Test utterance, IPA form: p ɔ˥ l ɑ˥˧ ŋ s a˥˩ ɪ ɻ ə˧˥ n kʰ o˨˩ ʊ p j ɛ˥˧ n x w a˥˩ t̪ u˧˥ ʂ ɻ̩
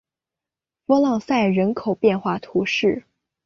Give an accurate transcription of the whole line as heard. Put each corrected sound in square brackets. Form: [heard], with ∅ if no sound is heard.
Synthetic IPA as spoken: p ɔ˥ l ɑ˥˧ ŋ s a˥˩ ɪ ɻ ə˧˥ n kʰ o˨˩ ʊ p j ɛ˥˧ n x w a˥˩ [t̪ʰ] u˧˥ ʂ ɻ̩